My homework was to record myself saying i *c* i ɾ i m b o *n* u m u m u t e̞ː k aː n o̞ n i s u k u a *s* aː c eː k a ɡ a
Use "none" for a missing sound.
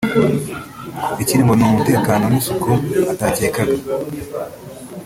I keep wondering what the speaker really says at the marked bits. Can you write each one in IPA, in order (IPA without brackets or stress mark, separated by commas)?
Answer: c, n, t